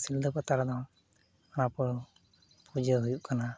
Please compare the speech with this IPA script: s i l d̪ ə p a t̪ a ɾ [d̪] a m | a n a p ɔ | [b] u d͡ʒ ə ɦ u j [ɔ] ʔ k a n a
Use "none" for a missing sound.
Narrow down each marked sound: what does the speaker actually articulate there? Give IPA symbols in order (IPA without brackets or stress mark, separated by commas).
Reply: d̪, p, u